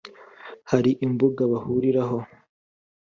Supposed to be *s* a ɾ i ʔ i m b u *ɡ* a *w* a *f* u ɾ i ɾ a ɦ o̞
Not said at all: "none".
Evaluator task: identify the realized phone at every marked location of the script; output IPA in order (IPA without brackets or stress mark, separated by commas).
h, ɡ, β, h